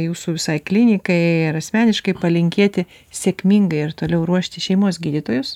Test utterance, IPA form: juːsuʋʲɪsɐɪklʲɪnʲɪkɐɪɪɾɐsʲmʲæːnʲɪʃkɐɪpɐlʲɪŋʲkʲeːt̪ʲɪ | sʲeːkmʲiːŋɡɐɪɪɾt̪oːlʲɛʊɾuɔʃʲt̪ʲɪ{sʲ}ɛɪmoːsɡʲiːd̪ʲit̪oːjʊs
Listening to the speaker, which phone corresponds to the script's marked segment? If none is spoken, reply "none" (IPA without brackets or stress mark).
ʃʲ